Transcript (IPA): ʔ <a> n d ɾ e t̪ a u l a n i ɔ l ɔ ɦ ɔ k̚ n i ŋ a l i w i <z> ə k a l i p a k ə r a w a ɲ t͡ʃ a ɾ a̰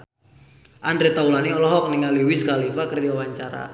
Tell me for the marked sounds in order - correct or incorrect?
correct, incorrect: s

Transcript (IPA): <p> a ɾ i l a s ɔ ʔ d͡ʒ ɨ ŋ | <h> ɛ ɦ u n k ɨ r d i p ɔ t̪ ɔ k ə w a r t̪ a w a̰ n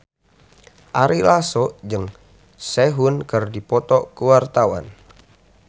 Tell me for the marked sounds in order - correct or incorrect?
incorrect: ʔ, incorrect: s

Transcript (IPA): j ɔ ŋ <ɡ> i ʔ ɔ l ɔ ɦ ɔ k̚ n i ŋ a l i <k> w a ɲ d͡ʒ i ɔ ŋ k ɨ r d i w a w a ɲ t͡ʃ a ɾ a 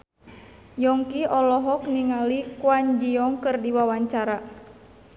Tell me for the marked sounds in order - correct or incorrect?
incorrect: k, correct

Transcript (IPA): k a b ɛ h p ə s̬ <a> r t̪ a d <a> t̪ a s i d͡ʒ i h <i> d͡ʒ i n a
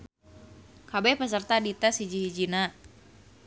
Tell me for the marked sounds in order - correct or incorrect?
incorrect: ə, incorrect: i, correct

